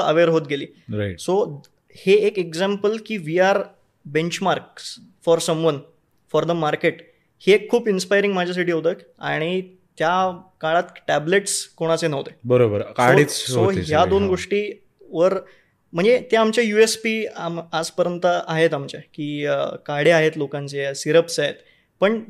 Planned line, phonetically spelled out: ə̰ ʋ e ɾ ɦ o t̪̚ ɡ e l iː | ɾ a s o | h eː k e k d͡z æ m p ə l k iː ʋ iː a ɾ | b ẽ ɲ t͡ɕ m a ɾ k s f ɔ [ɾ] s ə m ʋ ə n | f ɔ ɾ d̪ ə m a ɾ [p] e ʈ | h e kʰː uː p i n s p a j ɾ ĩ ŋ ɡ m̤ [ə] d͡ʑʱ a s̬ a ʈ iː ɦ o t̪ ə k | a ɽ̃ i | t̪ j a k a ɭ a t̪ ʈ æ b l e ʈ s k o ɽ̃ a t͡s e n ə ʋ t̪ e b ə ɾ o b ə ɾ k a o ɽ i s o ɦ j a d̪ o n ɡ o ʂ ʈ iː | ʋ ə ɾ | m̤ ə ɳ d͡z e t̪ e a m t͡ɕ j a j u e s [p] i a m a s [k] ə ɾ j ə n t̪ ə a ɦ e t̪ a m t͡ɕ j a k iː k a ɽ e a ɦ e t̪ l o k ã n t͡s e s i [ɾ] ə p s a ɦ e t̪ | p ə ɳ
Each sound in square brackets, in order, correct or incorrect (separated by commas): correct, incorrect, incorrect, correct, incorrect, correct